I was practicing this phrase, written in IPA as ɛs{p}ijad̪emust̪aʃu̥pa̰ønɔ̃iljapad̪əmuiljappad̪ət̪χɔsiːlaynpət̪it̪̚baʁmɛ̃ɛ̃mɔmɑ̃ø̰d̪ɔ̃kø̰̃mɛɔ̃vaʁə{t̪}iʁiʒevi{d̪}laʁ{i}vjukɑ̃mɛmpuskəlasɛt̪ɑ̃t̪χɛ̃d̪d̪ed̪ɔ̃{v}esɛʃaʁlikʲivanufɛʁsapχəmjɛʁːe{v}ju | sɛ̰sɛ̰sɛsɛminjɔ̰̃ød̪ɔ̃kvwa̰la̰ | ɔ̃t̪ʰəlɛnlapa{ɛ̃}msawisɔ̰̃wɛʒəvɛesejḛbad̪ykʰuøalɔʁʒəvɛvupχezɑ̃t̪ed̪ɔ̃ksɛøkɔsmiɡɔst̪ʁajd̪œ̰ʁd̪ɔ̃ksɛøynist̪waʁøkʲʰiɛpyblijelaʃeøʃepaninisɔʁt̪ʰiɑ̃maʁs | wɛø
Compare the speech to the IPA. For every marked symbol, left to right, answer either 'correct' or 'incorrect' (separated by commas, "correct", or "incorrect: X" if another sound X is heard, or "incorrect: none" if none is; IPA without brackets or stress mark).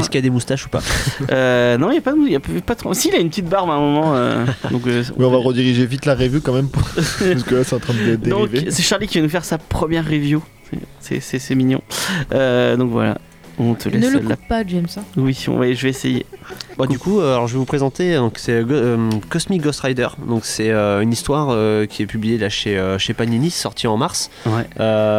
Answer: incorrect: k, incorrect: d̪, incorrect: t̪, incorrect: e, correct, correct, incorrect: ɛ